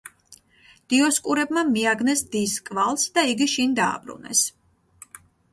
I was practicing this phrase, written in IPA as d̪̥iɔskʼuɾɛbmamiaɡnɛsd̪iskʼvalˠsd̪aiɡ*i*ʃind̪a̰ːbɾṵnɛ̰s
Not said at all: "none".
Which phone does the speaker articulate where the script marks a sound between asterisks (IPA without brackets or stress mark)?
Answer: i